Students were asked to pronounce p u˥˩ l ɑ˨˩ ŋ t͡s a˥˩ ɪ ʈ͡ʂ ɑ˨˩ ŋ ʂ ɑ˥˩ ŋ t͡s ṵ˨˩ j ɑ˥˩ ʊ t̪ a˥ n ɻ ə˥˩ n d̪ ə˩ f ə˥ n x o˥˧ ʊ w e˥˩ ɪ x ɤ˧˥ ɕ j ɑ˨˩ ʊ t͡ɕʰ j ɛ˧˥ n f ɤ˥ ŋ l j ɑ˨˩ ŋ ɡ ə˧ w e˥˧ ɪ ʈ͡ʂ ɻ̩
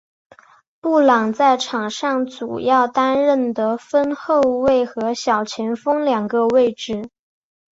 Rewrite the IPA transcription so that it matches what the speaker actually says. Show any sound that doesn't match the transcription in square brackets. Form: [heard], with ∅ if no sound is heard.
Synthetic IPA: p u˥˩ l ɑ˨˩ ŋ t͡s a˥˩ ɪ [ʈ͡ʂʰ] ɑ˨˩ ŋ ʂ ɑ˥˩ ŋ t͡s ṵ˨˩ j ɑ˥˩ ʊ t̪ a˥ n ɻ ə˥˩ n d̪ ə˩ f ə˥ n x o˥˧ ʊ w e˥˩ ɪ x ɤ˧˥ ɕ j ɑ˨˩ ʊ t͡ɕʰ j ɛ˧˥ n f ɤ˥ ŋ l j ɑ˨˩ ŋ ɡ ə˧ w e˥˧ ɪ ʈ͡ʂ ɻ̩